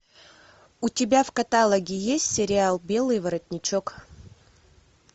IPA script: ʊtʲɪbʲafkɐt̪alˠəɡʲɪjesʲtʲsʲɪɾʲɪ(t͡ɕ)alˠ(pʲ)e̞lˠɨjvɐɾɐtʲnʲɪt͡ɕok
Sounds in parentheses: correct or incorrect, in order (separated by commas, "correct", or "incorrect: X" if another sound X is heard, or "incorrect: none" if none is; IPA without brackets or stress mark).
incorrect: none, incorrect: bʲ